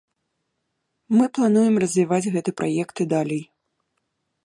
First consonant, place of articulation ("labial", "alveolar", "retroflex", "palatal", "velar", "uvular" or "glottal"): labial